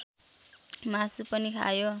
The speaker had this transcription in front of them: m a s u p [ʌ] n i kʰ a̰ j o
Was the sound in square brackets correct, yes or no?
yes